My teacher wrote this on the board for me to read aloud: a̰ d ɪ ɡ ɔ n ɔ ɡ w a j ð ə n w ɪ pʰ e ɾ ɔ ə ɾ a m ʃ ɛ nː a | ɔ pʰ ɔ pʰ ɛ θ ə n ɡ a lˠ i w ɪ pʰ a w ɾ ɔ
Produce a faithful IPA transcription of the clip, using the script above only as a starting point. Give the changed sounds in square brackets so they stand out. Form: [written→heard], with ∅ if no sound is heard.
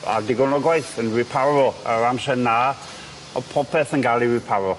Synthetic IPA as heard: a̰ d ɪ ɡ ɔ n ɔ ɡ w a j [ð→θ] ə n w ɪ pʰ [e→a] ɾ ɔ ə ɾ a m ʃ ɛ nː a | ɔ pʰ ɔ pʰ ɛ θ ə n ɡ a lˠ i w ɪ pʰ a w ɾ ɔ

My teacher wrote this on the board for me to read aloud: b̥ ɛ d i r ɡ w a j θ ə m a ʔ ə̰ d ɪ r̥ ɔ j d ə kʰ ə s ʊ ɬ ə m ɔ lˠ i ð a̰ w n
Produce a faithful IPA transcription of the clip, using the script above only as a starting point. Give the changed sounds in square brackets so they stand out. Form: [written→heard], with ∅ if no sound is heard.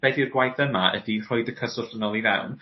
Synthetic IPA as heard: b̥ ɛ d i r ɡ w a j θ ə m a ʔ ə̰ d [ɪ→i] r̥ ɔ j d ə kʰ ə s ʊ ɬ ə [m→n] ɔ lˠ i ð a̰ w n

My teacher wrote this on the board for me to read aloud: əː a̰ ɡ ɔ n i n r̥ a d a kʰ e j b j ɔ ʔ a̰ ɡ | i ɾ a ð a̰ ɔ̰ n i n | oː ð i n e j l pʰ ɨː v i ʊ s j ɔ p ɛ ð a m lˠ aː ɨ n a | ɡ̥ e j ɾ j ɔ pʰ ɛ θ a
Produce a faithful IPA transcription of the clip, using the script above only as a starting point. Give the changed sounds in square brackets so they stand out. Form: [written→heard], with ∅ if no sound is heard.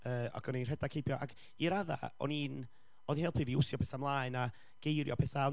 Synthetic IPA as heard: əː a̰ ɡ ɔ n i n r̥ [a→ɛ] d a kʰ e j b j ɔ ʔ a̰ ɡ | i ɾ a ð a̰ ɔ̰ n i n | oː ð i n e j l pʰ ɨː v i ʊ s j ɔ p ɛ [ð→θ] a m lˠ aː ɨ n a | ɡ̥ e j ɾ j ɔ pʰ ɛ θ a

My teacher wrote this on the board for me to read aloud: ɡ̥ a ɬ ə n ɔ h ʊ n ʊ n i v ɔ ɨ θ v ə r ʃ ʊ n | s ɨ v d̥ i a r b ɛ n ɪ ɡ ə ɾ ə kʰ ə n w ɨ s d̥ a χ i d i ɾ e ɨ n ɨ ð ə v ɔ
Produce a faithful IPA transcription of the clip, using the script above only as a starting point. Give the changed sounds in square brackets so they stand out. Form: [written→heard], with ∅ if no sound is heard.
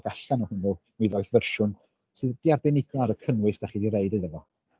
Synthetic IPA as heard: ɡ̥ a ɬ [ə→a] n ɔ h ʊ n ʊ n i [v→ð] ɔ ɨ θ v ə r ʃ ʊ n | s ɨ [v→ð] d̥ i a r b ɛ n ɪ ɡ [ə→a] ɾ ə kʰ ə n w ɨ s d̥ a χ i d i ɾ e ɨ [n→d] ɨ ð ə v ɔ

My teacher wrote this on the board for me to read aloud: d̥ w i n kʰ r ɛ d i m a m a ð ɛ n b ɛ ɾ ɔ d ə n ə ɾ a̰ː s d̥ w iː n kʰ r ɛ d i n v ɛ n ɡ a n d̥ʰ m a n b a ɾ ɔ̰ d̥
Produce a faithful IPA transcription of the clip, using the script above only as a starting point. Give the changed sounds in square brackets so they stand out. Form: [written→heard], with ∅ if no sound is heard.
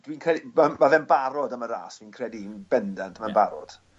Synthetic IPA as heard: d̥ w i n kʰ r ɛ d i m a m a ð ɛ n b [ɛ→a] ɾ ɔ d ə [n→m] ə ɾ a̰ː s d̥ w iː n kʰ r ɛ d i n [v→b] ɛ n [ɡ→d] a n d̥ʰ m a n b a ɾ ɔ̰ d̥

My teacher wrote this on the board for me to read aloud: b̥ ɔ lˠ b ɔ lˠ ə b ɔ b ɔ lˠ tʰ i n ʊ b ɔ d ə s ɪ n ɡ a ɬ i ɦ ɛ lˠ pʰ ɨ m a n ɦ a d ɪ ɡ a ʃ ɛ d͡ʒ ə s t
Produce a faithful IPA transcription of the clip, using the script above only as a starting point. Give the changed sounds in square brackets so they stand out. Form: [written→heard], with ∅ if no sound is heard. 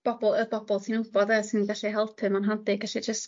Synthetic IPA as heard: b̥ ɔ [lˠ→∅] b ɔ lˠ ə b ɔ b ɔ lˠ tʰ i n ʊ b ɔ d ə s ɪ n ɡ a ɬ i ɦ ɛ lˠ pʰ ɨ m a n ɦ a d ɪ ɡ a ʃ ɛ d͡ʒ ə s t

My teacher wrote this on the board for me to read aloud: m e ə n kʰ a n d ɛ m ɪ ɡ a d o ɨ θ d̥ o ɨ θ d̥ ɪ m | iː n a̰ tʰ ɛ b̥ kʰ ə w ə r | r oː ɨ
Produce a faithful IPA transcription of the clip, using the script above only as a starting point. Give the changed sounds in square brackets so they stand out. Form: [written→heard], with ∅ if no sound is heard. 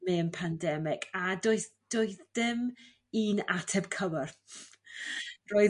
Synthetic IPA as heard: m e ə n [kʰ→pʰ] a n d ɛ m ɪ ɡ a d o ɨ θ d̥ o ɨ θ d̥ ɪ m | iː n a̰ tʰ ɛ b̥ kʰ ə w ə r | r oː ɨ

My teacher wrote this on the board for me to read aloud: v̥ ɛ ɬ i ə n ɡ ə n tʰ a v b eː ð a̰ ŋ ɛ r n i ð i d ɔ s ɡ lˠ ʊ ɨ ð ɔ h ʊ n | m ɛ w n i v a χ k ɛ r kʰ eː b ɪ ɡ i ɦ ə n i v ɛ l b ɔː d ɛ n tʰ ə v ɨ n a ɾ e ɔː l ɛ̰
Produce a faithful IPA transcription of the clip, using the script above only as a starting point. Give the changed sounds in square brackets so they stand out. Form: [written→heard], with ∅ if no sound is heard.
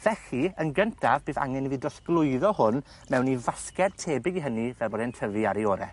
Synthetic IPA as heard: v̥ ɛ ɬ i ə n ɡ ə n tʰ a v b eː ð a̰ ŋ ɛ [r→∅] n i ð i d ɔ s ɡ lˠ ʊ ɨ ð ɔ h ʊ n | m ɛ w n i v a [χ→s] k ɛ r [kʰ→tʰ] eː b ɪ ɡ i ɦ ə n i v ɛ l b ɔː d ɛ n tʰ ə v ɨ [n→∅] a ɾ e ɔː [l→ɾ] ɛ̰

